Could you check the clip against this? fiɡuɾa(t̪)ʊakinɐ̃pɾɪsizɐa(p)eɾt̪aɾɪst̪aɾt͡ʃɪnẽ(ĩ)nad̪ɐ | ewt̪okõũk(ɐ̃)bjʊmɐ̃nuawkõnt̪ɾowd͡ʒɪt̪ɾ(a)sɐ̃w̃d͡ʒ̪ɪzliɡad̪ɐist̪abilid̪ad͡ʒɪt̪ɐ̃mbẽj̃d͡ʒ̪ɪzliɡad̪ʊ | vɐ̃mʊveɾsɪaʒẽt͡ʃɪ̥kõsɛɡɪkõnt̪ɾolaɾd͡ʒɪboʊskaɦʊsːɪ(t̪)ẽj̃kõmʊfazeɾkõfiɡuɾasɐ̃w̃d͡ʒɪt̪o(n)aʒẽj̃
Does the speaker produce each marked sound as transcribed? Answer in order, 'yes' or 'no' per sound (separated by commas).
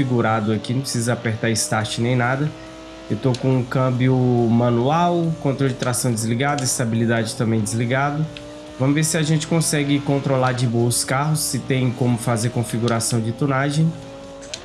no, yes, no, yes, yes, yes, yes